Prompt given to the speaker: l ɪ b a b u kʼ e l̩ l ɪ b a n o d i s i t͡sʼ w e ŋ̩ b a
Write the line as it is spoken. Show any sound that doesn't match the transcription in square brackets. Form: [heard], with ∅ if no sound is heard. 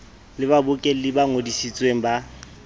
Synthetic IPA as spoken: l ɪ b a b [ʊ] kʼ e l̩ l ɪ b a [ŋ] o d i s i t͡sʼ w e ŋ̩ b a